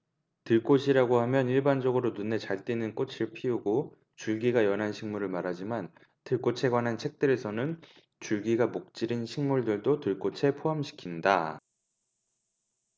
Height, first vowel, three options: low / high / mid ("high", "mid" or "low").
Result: high